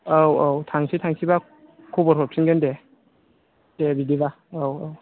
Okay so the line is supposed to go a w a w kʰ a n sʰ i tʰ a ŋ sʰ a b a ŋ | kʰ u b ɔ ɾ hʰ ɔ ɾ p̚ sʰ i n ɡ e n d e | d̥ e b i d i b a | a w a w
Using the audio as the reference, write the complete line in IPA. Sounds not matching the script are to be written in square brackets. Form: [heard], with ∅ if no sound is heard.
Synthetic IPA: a w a w [tʰ] a [ŋ] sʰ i tʰ a ŋ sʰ [i] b a [∅] | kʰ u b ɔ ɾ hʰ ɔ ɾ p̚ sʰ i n ɡ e n d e | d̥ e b i d i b a | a w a w